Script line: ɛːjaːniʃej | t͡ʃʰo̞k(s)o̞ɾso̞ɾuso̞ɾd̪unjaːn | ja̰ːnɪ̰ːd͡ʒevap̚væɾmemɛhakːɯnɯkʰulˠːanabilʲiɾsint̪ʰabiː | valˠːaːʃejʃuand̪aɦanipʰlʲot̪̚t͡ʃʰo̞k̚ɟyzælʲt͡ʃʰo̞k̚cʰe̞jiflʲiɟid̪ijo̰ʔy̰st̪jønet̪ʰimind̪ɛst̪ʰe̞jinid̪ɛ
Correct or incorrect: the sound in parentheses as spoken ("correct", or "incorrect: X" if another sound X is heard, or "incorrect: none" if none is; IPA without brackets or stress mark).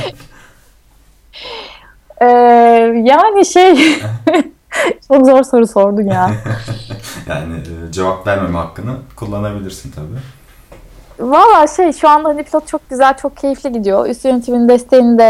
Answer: incorrect: z